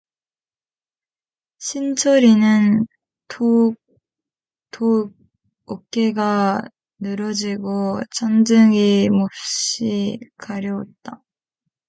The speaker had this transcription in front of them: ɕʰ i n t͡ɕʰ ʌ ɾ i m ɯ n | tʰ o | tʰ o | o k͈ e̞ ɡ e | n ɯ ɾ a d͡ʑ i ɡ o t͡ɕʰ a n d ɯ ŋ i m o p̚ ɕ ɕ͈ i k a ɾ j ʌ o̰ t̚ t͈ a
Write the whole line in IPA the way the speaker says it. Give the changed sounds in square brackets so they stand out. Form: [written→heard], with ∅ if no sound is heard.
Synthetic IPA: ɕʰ i n t͡ɕʰ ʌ ɾ i [m→n] ɯ n | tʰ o | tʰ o | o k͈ e̞ ɡ [e→a] | n ɯ ɾ [a→ʌ] d͡ʑ i ɡ o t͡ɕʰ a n [d→d͡ʑ] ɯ ŋ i m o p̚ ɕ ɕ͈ i k a ɾ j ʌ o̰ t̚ t͈ a

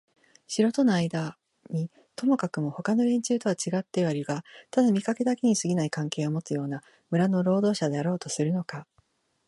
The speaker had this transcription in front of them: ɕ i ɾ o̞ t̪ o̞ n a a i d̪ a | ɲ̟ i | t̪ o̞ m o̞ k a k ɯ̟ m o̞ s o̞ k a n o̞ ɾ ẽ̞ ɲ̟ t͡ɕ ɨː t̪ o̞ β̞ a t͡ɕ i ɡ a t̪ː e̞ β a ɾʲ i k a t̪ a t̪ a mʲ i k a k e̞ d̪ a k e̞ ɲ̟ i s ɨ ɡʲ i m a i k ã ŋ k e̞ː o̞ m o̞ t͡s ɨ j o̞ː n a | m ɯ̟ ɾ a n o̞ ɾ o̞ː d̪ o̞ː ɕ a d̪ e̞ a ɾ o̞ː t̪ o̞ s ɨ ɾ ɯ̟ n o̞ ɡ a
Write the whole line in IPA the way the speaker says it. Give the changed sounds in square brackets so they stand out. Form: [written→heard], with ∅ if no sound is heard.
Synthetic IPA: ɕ i ɾ o̞ t̪ o̞ n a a i d̪ a | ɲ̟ i | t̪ o̞ m o̞ k a k ɯ̟ m o̞ [s→h] o̞ k a n o̞ ɾ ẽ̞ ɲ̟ t͡ɕ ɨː t̪ o̞ β̞ a t͡ɕ i ɡ a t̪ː e̞ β a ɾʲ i [k→ɡ] a t̪ a [t̪→d̪] a mʲ i k a k e̞ d̪ a k e̞ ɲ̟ i s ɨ ɡʲ i [m→n] a i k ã ŋ k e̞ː o̞ m o̞ t͡s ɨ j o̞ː n a | m ɯ̟ ɾ a n o̞ ɾ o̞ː d̪ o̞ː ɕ a d̪ e̞ a ɾ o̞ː t̪ o̞ s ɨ ɾ ɯ̟ n o̞ [ɡ→k] a

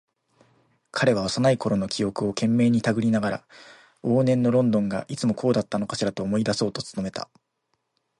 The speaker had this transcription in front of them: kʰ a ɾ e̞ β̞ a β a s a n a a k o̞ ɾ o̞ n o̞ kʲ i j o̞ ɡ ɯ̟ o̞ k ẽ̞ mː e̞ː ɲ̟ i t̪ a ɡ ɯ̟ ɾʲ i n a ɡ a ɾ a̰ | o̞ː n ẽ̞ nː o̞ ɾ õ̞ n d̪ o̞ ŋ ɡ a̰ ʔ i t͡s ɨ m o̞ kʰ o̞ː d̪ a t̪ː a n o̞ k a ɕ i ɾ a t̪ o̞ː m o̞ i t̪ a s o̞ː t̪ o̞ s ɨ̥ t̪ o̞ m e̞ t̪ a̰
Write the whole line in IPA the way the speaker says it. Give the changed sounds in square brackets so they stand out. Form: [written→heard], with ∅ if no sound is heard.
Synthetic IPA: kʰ a ɾ e̞ β̞ a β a s a n a [a→i] k o̞ ɾ o̞ n o̞ kʲ i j o̞ [ɡ→k] ɯ̟ o̞ k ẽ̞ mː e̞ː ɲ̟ i t̪ a ɡ ɯ̟ ɾʲ i n a ɡ a ɾ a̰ | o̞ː n ẽ̞ nː o̞ ɾ õ̞ n d̪ [o̞→õ̞] ŋ ɡ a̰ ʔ i t͡s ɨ m o̞ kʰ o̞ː d̪ a t̪ː a n o̞ k a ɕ i ɾ a t̪ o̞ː m o̞ i [t̪→d̪] a s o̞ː t̪ o̞ [s→t͡s] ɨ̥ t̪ o̞ m e̞ t̪ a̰

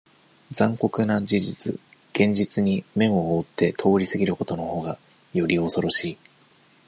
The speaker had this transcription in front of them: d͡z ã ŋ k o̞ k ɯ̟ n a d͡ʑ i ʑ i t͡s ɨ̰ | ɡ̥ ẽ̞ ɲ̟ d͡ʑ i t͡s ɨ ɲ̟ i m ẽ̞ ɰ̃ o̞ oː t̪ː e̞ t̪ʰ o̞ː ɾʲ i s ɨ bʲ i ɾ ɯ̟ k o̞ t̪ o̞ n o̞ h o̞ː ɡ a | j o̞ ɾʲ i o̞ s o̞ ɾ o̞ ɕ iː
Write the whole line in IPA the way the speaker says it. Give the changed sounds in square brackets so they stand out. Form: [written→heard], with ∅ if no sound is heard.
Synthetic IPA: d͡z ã ŋ k o̞ k ɯ̟ n a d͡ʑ i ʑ i t͡s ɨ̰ | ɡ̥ ẽ̞ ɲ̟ d͡ʑ i t͡s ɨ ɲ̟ i m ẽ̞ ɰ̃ o̞ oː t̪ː e̞ t̪ʰ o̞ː ɾʲ i s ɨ [bʲ→ɡʲ] i ɾ ɯ̟ k o̞ t̪ o̞ n o̞ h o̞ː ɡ a | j o̞ ɾʲ i o̞ s o̞ ɾ o̞ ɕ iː

